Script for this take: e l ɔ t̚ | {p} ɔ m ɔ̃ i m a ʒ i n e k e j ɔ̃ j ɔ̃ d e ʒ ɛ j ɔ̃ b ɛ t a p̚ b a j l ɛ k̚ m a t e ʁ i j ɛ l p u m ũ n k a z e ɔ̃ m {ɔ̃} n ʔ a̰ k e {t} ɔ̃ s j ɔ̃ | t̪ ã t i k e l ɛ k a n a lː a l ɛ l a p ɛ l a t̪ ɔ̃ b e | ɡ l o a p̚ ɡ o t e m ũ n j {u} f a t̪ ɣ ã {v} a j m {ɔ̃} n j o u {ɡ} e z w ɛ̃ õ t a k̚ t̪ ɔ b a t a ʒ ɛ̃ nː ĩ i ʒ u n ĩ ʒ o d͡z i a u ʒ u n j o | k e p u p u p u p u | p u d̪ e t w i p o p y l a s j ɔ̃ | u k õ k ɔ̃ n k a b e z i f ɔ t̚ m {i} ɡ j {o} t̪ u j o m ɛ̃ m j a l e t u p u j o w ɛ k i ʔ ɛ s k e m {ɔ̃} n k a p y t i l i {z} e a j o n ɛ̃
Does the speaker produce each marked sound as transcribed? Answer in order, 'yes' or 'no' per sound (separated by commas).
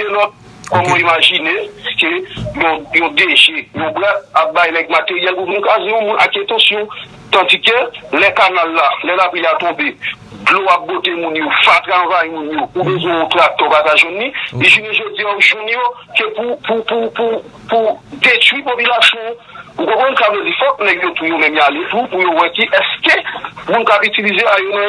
no, no, yes, no, yes, no, no, no, yes, no, yes